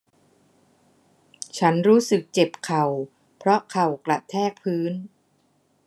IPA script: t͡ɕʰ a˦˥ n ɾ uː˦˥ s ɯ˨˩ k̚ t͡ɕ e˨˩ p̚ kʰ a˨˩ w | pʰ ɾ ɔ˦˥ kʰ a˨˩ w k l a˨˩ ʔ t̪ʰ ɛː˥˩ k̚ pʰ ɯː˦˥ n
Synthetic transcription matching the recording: t͡ɕʰ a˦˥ n ɾ uː˦˥ s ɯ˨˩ k̚ t͡ɕ e˨˩ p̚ kʰ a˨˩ w | pʰ ɾ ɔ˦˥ kʰ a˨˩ w k l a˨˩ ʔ t̪ʰ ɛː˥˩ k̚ pʰ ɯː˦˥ n